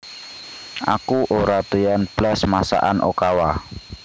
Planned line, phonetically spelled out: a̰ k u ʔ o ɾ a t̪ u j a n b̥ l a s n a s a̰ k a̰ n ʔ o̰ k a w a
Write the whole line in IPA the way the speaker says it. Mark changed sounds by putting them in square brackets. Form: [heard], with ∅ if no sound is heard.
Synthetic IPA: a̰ k u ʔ o ɾ a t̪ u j a n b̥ l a s [m] a s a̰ [ʔ] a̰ n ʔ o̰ k a w a